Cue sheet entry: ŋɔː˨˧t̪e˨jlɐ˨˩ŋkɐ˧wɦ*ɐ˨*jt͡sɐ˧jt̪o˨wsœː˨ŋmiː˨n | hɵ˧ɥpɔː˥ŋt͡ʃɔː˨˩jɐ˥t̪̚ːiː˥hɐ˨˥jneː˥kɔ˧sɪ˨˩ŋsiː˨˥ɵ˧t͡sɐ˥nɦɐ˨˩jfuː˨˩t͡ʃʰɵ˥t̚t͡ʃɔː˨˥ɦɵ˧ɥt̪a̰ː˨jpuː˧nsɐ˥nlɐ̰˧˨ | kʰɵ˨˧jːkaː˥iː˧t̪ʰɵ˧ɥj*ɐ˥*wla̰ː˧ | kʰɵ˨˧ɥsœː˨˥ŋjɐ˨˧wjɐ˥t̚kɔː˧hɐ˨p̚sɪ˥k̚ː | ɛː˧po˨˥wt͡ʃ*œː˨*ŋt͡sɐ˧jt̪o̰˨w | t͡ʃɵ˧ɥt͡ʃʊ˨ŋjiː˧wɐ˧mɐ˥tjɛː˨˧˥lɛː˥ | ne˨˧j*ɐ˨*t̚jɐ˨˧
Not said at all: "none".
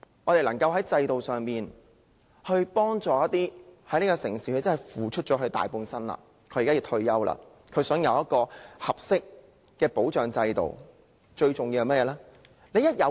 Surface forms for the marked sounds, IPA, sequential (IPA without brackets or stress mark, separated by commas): ɐ˨˥, ɐ˥, œː˨, ɐ˥